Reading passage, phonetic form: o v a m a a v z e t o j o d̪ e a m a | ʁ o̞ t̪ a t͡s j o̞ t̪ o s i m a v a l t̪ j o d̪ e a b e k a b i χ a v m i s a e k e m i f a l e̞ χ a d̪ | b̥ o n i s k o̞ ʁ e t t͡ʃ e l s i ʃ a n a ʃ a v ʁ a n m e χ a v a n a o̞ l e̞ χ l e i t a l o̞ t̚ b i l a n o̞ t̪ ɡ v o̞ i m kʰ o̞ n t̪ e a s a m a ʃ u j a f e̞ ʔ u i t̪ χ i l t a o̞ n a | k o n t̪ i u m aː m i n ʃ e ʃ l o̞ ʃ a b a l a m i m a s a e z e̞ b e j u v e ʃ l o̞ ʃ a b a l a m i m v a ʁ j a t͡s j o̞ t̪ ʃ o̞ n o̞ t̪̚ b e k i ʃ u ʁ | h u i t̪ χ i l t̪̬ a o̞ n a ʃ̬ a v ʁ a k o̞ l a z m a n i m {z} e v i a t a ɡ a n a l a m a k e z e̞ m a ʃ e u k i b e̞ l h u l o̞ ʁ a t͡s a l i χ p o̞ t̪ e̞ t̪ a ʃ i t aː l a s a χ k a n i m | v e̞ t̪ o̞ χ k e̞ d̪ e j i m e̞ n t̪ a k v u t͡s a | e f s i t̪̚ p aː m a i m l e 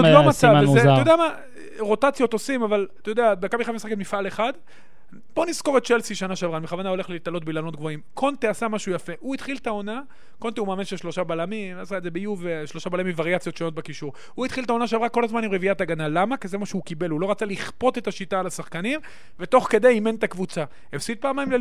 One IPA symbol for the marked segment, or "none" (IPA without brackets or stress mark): ʁ